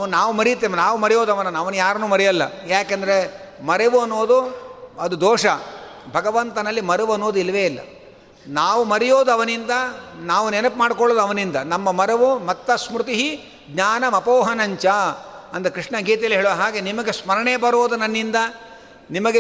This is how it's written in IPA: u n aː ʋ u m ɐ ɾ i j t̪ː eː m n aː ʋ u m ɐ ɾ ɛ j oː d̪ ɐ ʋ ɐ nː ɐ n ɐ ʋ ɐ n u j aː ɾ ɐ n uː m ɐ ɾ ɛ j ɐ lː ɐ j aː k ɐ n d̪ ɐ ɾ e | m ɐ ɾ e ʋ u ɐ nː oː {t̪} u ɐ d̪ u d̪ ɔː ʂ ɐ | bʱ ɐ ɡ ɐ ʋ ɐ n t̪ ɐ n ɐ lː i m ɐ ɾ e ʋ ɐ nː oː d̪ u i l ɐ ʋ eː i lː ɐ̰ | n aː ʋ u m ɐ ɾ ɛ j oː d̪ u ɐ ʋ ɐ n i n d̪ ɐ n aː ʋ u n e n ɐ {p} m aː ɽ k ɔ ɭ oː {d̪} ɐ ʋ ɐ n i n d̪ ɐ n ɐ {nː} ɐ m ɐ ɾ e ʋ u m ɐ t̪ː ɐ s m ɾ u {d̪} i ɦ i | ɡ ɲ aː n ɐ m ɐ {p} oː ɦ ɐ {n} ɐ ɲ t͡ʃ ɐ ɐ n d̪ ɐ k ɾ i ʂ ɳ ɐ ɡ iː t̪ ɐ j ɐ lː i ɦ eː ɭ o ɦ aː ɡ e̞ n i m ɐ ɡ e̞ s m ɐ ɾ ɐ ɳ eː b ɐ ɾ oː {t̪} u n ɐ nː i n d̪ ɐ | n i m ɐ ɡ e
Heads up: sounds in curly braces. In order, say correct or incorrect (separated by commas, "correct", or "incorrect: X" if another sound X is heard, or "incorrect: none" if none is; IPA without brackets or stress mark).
incorrect: d̪, correct, correct, incorrect: mː, incorrect: t̪, correct, correct, incorrect: d̪